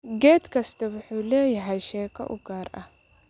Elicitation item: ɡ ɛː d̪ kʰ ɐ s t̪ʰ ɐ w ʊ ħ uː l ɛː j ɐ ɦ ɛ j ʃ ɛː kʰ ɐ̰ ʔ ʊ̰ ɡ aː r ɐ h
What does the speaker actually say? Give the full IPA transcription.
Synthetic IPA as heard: ɡ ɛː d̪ kʰ ɐ s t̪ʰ ɐ w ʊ ħ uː l ɛː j ɐ ɦ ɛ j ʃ ɛː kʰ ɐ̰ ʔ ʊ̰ ɡ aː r ɐ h